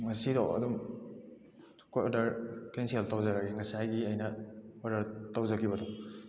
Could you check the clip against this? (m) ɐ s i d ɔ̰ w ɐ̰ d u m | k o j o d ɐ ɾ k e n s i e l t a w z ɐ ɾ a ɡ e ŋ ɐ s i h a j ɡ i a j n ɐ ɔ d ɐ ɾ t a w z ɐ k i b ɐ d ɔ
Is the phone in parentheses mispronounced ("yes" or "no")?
yes